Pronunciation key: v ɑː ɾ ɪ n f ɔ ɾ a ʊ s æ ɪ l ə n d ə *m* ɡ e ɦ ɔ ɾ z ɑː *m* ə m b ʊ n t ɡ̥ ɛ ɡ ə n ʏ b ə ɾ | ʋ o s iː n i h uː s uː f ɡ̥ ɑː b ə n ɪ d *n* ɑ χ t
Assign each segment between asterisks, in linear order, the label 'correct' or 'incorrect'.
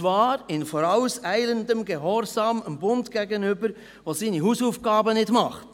correct, correct, incorrect

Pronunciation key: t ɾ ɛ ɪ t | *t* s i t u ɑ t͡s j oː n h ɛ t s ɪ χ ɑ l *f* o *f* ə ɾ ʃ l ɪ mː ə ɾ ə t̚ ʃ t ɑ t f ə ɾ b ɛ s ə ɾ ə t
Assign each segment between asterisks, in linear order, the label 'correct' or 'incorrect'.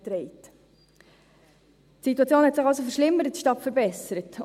correct, incorrect, correct

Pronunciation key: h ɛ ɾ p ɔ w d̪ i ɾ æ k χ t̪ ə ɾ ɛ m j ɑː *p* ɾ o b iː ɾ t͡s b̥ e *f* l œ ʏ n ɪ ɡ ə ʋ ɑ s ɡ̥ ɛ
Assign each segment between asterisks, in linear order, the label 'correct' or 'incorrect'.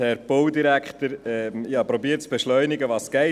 correct, incorrect

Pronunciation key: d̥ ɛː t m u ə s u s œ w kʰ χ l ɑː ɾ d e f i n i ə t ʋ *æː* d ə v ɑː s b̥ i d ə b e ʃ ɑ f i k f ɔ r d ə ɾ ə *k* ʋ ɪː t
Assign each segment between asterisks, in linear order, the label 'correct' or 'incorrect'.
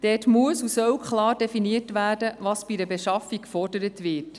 correct, incorrect

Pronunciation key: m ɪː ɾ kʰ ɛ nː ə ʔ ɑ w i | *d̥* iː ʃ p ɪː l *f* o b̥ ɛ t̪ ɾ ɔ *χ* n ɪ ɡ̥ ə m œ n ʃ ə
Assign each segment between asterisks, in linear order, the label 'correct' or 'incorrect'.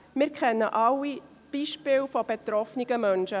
incorrect, correct, incorrect

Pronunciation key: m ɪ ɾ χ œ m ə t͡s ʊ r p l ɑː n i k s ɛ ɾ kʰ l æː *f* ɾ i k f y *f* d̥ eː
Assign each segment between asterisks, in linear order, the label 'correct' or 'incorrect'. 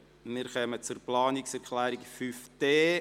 incorrect, correct

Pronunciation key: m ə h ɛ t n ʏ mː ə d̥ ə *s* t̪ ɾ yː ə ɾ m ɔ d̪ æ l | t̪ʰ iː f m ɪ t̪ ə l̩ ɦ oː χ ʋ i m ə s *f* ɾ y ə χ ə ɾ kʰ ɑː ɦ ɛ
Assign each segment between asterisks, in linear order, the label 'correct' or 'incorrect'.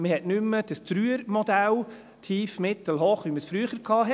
correct, correct

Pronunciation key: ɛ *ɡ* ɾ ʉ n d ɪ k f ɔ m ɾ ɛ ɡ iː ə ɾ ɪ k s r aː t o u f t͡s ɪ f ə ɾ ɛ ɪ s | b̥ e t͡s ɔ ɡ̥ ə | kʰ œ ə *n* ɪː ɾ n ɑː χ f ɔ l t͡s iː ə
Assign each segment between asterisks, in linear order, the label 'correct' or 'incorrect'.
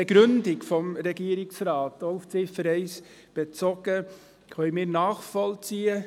correct, incorrect

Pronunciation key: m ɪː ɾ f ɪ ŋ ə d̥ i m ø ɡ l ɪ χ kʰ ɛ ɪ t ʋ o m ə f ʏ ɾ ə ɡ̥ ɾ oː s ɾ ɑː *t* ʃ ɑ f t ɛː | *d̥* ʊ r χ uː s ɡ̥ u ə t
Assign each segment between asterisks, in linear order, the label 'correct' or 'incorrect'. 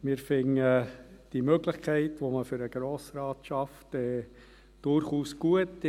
correct, correct

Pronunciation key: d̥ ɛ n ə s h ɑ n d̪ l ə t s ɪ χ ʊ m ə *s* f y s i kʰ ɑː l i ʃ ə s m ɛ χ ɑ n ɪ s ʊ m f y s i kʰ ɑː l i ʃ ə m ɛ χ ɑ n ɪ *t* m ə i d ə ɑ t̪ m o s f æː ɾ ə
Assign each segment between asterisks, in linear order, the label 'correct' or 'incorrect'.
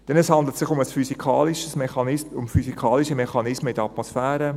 correct, incorrect

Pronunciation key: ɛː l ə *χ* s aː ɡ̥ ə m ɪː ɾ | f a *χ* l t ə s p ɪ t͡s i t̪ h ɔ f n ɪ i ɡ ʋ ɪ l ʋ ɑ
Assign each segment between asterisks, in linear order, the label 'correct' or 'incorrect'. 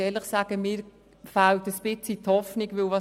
correct, incorrect

